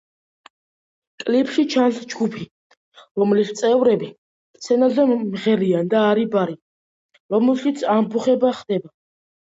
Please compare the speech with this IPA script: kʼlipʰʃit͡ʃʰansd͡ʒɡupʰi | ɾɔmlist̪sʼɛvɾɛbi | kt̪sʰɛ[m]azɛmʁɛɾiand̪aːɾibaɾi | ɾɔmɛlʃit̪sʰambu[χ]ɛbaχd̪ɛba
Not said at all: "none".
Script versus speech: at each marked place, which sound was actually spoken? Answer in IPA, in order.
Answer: n, χ

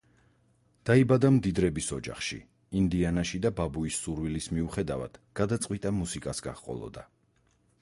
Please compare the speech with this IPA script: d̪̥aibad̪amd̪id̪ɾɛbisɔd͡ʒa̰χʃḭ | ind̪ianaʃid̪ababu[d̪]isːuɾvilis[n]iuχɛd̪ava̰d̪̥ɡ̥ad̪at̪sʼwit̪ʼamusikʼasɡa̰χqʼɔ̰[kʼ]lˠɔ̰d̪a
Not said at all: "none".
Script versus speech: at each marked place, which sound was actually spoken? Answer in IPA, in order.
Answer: none, m, none

